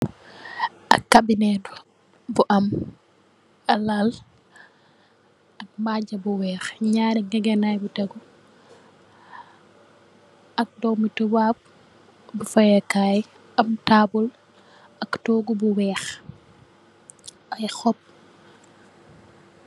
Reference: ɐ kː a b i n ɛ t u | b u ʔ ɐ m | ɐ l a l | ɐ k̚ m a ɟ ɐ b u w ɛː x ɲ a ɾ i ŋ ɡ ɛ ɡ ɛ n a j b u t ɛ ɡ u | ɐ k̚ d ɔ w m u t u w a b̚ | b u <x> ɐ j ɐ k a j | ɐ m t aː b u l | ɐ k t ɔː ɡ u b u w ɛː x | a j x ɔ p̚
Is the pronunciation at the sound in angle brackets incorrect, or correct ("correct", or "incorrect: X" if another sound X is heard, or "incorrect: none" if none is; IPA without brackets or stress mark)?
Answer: incorrect: f